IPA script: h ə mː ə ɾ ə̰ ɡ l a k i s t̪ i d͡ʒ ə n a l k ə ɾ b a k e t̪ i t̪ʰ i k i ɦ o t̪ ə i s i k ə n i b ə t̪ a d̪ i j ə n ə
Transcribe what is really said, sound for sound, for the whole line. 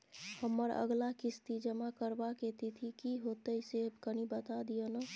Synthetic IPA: h ə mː ə ɾ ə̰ ɡ l a k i s t̪ i d͡ʒ ə m a k ə ɾ b a k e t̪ i t̪ʰ i k i ɦ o t̪ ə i s e k ə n i b ə t̪ a d̪ i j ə n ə